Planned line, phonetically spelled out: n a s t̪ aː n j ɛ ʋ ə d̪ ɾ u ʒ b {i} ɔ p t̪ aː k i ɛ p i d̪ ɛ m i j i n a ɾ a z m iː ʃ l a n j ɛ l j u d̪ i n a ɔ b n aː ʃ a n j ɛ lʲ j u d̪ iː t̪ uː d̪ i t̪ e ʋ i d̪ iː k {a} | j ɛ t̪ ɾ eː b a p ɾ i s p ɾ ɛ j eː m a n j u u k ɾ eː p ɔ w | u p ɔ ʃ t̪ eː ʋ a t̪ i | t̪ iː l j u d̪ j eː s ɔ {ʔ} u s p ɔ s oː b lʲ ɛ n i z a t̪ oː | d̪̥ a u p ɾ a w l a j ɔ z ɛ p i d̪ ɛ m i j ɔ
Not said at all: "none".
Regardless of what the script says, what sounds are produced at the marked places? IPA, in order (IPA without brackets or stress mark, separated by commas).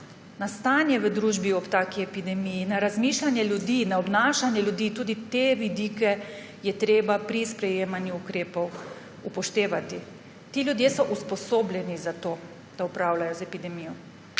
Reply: i, ɛ, ʔ